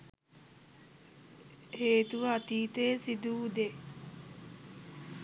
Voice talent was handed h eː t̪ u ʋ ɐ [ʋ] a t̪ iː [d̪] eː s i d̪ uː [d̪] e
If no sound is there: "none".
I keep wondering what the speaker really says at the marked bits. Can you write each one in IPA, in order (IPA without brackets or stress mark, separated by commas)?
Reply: none, t̪, d̪